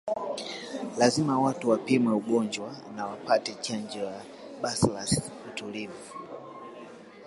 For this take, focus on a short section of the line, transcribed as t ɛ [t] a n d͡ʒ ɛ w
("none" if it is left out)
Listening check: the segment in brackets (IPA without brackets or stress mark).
t͡ʃ